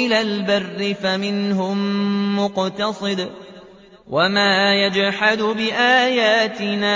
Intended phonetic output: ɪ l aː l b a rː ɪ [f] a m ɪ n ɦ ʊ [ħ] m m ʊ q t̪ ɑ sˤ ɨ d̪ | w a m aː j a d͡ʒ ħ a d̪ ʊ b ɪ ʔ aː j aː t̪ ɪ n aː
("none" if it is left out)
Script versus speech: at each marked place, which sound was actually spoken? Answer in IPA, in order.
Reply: f, none

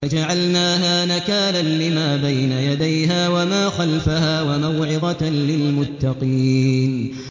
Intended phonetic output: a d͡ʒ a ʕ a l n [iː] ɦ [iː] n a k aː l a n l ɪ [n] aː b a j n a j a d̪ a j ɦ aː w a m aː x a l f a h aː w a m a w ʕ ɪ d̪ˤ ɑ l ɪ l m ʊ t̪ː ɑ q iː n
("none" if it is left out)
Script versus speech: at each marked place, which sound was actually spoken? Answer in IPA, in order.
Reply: aː, aː, m

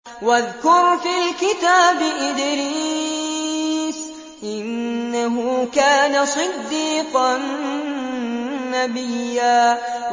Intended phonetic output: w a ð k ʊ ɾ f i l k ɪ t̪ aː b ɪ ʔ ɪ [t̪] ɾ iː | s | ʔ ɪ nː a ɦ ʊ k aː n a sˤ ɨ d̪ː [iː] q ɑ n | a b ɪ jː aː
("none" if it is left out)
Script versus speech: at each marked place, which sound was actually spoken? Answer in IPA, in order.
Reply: d̪, iː

